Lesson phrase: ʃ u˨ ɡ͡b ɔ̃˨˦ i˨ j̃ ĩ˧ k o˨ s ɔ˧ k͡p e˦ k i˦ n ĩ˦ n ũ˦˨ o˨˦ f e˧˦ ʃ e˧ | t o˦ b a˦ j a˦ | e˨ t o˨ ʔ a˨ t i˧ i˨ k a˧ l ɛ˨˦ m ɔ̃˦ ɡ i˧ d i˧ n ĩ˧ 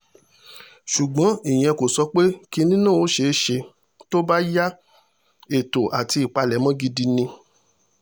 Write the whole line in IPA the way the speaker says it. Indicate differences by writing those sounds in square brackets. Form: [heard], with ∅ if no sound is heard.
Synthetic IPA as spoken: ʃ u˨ ɡ͡b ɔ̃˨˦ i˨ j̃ [ɛ̃˧] k o˨ s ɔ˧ k͡p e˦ k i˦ n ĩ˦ n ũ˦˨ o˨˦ [ʃ] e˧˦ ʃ e˧ | t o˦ b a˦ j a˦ | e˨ t o˨ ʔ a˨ t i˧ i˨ [k͡p] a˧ l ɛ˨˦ m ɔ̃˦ ɡ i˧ d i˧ n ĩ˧

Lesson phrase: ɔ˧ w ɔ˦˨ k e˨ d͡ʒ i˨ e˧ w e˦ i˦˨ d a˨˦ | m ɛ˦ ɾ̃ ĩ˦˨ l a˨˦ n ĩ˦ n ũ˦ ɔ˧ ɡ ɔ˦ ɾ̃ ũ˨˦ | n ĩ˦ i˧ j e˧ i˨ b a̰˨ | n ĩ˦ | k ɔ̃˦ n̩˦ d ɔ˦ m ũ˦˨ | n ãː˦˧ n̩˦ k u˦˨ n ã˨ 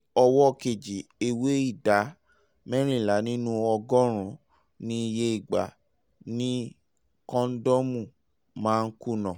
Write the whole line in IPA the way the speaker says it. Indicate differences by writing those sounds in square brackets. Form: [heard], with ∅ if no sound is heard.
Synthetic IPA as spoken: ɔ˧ w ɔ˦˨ k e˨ d͡ʒ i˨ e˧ w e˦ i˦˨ d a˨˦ | m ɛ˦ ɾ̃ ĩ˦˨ l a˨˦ n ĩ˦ n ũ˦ ɔ˧ ɡ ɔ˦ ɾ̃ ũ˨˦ | n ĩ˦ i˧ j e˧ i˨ [ɡ͡b] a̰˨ | n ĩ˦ | k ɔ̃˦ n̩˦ d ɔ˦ m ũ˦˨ | [m] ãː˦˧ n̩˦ k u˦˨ n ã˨

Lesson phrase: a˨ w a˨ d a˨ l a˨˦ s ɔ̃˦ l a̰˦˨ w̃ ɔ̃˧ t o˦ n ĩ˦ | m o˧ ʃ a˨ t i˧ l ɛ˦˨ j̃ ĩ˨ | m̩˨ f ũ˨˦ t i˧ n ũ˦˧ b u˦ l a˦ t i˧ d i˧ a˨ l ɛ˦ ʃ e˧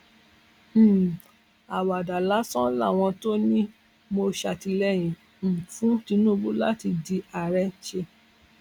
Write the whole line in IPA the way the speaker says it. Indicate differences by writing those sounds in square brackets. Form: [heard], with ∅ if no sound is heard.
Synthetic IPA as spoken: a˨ w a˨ d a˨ l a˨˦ s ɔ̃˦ l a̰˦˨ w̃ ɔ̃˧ t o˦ n ĩ˦ | m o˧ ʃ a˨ t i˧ l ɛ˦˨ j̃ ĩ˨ | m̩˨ f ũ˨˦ t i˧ n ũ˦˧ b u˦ l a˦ t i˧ d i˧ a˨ [ɾ] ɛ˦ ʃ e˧

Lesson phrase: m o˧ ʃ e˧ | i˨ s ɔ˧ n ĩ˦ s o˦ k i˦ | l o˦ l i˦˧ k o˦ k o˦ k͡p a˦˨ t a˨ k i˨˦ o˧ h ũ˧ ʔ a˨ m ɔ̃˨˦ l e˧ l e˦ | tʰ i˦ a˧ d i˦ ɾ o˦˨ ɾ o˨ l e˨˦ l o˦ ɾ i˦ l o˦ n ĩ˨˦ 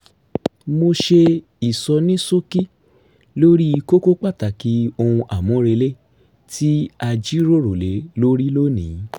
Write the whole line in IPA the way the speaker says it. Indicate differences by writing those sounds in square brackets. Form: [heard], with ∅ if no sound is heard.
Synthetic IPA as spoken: m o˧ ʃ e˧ | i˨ s ɔ˧ n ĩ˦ s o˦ k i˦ | l o˦ [ɾ] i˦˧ k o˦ k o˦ k͡p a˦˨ t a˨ k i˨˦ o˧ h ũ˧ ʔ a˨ m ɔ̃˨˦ [ɾ] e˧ l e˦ | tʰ i˦ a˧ [d͡ʒ] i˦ ɾ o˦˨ ɾ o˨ l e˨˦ l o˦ ɾ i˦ l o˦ n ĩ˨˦

